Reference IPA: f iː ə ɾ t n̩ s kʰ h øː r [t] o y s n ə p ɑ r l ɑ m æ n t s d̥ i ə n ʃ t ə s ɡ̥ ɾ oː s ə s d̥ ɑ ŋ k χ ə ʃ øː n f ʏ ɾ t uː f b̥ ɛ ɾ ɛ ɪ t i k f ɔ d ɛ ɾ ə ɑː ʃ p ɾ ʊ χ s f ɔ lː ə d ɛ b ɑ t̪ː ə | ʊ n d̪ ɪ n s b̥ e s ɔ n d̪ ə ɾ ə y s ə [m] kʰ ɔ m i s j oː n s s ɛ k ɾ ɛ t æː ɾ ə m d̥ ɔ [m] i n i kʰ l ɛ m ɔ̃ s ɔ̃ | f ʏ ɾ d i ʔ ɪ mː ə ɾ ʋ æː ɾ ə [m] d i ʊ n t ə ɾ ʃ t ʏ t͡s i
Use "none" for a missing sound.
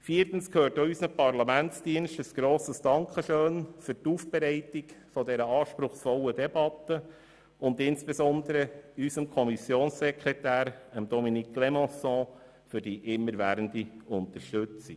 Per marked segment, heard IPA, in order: t, m, m, n

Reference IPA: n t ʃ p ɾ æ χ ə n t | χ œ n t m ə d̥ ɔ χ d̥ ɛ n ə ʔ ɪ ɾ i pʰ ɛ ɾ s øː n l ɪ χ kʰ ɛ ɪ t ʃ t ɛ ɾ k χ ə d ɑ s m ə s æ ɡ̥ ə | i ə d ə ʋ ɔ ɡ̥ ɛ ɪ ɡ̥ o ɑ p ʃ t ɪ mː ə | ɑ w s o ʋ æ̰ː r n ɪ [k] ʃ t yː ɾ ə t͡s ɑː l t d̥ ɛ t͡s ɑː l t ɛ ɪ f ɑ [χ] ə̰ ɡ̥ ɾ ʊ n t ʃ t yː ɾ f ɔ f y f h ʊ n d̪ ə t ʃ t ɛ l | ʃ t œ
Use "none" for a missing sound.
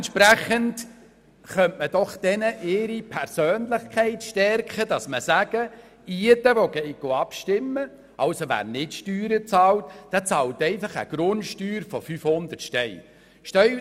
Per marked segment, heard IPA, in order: t, χ

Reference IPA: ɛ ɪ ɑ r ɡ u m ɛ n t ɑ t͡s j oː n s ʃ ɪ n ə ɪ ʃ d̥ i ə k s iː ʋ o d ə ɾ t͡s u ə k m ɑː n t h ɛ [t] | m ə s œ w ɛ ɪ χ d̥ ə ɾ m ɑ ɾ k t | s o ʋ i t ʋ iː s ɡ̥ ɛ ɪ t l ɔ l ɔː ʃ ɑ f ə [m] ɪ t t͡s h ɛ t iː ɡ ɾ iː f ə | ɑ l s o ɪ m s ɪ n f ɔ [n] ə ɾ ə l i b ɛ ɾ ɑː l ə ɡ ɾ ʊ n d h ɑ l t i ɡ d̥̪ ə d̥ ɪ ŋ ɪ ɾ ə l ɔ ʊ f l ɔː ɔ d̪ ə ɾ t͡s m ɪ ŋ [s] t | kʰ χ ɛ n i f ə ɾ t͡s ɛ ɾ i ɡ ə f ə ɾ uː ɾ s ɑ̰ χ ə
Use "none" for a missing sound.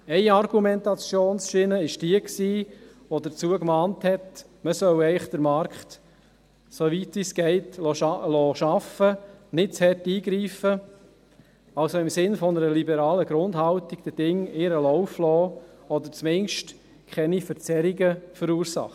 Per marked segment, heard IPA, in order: t, n, n, ʃ

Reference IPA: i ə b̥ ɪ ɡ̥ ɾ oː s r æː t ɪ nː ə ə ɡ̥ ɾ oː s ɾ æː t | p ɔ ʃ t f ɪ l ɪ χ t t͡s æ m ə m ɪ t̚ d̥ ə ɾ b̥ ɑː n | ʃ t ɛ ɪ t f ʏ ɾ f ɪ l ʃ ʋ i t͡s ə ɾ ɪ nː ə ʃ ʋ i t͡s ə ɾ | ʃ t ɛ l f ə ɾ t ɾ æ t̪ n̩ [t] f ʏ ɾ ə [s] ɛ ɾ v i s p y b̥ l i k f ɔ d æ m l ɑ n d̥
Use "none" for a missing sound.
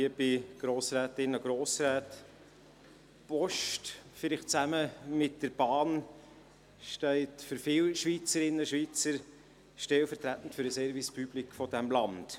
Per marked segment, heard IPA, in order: t, s

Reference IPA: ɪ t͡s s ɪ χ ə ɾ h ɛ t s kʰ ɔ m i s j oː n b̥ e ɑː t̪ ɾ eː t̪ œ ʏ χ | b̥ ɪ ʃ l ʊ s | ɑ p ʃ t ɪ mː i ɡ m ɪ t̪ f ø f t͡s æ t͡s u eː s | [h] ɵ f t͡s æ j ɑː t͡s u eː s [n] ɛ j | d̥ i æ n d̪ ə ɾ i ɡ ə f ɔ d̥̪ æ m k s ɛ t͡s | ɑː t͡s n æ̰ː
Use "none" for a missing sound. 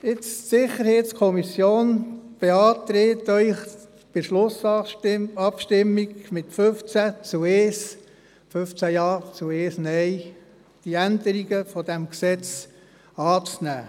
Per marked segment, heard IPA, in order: f, n

